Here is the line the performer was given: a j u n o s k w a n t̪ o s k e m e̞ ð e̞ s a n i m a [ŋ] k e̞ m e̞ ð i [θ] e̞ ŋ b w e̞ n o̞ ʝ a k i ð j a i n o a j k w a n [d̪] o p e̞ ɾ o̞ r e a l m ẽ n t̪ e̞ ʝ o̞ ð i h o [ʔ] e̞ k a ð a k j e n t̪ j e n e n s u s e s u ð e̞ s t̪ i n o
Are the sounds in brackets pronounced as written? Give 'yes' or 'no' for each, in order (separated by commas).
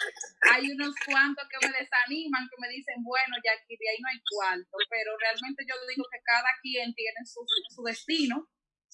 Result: yes, no, no, no